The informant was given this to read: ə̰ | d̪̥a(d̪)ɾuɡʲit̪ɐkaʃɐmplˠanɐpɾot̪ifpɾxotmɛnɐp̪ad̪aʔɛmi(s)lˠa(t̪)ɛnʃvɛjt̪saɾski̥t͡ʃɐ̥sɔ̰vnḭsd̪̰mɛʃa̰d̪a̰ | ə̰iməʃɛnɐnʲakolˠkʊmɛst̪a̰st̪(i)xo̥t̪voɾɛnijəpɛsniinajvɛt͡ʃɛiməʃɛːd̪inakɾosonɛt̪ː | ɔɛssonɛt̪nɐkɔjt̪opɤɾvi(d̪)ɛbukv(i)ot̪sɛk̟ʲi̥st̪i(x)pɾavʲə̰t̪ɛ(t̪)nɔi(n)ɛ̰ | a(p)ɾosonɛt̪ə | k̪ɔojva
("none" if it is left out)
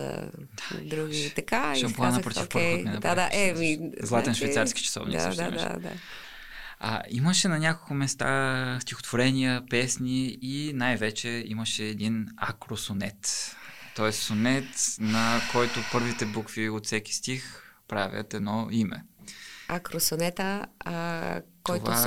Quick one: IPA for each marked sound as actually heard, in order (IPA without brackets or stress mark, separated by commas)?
d̪, z, t̪, i, t̪, i, x, d̪, m, k